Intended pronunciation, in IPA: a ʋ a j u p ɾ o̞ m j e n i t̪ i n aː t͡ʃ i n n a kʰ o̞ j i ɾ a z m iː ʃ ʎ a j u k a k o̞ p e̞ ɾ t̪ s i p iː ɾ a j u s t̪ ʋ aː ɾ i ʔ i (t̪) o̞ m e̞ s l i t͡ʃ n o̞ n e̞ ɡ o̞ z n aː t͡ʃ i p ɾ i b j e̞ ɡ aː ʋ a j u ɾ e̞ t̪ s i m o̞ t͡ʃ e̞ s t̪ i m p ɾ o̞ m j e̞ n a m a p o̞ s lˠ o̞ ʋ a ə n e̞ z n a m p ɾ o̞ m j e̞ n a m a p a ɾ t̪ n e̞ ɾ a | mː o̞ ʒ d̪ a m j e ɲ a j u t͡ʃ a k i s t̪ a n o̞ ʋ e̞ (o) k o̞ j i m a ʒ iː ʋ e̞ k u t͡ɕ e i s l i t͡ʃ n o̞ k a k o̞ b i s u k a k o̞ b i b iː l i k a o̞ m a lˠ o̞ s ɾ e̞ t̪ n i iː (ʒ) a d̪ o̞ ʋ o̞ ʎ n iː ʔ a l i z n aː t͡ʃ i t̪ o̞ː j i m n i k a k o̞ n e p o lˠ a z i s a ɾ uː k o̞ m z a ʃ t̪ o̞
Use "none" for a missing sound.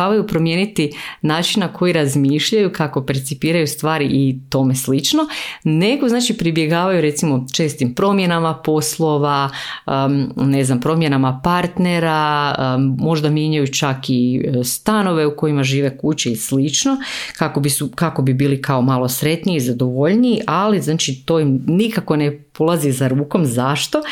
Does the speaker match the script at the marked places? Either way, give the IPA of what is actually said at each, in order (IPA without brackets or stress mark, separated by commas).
t̪, u, z